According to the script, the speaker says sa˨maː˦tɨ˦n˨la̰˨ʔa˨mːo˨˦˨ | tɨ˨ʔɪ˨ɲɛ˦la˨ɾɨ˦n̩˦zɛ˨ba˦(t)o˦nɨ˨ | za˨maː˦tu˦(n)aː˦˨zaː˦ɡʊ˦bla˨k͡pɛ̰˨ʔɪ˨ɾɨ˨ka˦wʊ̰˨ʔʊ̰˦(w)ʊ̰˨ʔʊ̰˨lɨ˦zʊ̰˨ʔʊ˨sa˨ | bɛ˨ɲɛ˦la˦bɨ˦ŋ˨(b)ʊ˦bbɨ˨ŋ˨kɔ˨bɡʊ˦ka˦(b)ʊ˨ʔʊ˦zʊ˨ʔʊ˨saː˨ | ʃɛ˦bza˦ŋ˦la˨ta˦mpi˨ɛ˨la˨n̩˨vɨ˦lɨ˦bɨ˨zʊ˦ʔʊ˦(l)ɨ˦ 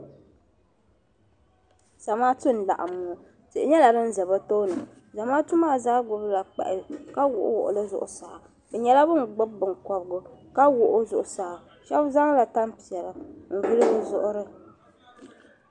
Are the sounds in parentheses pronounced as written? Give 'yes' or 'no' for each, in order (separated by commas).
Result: yes, no, yes, no, no, no